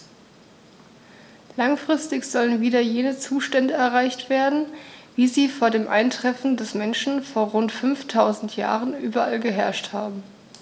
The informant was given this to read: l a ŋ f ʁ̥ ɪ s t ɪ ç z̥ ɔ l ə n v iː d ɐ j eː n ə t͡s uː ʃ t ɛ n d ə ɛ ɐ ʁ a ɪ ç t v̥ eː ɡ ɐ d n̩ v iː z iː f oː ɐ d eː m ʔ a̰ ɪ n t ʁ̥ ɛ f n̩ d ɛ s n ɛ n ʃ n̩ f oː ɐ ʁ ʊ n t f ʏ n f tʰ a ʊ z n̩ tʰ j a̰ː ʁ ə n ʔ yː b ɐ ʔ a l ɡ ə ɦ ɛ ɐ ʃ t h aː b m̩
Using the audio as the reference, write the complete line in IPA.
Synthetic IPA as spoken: l a ŋ f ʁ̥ ɪ s t ɪ ç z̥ ɔ l ə n v iː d ɐ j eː n ə t͡s uː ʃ t ɛ n d ə ɛ ɐ ʁ a ɪ ç t v̥ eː ɐ d n̩ v iː z iː f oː ɐ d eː m ʔ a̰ ɪ n t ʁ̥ ɛ f n̩ d ɛ s m ɛ n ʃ n̩ f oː ɐ ʁ ʊ n t f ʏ n f tʰ a ʊ z n̩ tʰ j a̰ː ʁ ə n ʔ yː b ɐ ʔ a l ɡ ə ɦ ɛ ɐ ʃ t h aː b m̩